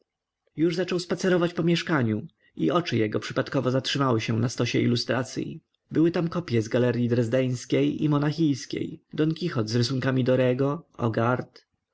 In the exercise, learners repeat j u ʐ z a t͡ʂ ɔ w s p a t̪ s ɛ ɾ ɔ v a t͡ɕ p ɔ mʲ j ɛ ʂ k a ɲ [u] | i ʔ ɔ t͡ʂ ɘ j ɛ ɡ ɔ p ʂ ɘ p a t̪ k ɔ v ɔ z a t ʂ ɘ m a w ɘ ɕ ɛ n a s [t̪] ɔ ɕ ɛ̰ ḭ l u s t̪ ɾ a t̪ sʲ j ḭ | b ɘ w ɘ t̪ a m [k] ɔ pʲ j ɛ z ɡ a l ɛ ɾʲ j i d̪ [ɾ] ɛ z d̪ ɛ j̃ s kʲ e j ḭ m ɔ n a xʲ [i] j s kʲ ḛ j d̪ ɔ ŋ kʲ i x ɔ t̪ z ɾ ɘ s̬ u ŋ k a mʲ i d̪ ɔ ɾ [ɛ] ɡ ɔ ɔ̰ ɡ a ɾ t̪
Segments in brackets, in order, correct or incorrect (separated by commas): correct, correct, correct, correct, correct, correct